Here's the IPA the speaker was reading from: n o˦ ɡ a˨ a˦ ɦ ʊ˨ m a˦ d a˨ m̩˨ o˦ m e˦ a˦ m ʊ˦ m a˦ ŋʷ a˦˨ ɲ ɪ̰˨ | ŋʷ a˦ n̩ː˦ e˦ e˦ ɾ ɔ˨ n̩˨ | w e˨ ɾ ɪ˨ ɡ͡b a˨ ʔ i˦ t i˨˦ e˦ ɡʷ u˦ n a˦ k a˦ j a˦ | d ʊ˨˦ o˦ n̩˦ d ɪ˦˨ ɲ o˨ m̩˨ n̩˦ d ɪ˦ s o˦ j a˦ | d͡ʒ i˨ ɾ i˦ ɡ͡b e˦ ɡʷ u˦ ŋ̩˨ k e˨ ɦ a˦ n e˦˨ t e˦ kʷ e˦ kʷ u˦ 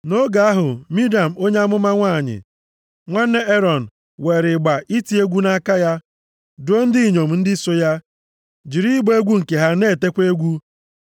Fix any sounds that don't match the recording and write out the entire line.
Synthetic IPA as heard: n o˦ ɡ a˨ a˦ ɦ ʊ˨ m i˦ d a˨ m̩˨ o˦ ɲ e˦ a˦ m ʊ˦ m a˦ ŋʷ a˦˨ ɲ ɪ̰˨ | ŋʷ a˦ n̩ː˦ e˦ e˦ ɾ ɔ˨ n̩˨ | w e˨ ɾ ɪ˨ ɡ͡b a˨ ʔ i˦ t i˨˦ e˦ ɡʷ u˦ n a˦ k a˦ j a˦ | d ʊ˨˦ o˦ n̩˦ d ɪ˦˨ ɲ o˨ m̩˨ n̩˦ d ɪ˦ s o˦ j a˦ | d͡ʒ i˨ ɾ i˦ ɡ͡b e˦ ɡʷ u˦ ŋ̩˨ k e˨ ɦ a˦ n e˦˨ t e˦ kʷ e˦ ɡʷ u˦

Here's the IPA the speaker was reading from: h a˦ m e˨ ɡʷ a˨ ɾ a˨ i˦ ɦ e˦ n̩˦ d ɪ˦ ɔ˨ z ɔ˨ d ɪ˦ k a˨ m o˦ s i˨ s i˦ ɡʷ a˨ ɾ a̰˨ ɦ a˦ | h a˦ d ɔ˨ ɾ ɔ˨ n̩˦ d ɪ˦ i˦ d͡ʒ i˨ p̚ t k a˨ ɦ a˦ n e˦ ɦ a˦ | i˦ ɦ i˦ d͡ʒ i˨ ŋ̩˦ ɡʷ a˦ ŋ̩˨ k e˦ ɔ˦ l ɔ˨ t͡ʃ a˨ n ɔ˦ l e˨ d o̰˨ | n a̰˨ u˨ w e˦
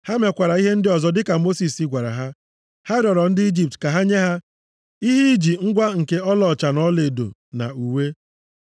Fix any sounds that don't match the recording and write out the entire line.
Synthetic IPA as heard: h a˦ m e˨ kʷ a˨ ɾ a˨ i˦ ɦ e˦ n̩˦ d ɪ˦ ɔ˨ z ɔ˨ d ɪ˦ k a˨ m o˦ s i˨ s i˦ ɡʷ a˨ ɾ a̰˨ ɦ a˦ | h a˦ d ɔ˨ ɾ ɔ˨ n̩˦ d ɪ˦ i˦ d͡ʒ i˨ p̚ t k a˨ ɦ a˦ ɲ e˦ ɦ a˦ | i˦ ɦ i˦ d͡ʒ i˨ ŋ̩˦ ɡʷ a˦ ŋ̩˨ k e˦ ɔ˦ l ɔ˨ t͡ʃ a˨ n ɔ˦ l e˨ d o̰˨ | n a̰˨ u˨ w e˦

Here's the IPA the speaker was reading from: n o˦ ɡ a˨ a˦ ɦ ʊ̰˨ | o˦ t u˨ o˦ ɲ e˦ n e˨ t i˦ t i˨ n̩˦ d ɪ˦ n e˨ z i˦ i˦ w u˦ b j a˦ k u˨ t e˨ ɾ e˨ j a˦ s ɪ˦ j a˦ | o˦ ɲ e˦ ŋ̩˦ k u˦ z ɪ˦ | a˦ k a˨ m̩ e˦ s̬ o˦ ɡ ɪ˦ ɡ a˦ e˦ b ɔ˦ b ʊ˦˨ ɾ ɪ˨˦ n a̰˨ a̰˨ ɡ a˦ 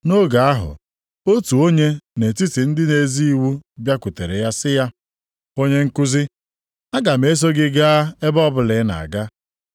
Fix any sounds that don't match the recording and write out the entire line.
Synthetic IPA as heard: n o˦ ɡ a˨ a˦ ɦ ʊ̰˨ | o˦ t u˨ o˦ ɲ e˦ n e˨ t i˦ t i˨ n̩˦ d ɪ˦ n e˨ z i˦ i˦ w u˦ b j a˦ k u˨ t e˨ ɾ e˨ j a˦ s ɪ˦ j a˦ | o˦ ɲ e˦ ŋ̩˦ k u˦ z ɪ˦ | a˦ ɡ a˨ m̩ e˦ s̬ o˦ ɡ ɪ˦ ɡ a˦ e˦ b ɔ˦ b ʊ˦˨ l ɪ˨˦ n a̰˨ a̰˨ ɡ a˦

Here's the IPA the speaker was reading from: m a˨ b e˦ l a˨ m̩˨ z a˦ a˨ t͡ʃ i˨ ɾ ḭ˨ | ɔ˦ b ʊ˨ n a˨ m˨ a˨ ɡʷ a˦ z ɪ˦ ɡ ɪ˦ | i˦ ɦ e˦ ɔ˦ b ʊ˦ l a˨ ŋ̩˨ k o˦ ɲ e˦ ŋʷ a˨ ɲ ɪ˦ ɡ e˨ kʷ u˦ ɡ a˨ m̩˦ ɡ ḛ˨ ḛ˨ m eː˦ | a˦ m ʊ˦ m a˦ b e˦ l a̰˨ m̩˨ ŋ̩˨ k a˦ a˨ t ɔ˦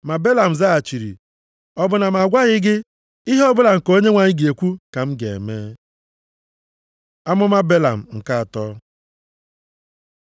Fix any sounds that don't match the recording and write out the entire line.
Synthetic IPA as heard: m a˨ b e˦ l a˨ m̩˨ z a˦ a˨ t͡ʃ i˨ ɾ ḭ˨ | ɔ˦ b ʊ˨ n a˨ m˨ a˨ ɡʷ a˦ ɣ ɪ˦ ɡ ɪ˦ | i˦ ɦ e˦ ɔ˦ b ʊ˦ l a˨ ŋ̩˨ k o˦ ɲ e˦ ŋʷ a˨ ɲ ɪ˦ ɡ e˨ kʷ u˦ k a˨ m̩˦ ɡ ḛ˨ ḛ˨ m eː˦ | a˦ m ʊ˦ m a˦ b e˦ l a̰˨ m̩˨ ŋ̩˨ k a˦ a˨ t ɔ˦

